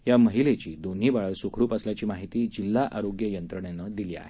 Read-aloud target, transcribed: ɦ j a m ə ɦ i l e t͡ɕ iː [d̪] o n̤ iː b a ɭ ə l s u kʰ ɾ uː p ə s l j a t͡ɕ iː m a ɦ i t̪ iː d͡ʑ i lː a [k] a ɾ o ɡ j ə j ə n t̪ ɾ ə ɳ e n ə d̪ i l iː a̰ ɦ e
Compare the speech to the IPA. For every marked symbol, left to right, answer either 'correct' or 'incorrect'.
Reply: correct, incorrect: ʔ

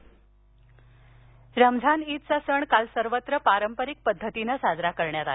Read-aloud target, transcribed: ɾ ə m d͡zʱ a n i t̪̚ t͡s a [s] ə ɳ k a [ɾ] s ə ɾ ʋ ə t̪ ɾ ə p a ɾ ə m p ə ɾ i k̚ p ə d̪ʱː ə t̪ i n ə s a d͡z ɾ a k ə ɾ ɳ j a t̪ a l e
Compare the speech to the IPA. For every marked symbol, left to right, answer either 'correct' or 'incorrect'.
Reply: correct, incorrect: l

